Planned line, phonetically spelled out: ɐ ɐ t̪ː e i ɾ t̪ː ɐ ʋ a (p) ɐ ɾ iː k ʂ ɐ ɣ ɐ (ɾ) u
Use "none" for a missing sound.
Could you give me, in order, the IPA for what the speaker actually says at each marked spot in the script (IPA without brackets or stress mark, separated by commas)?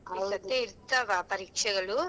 p, ɭ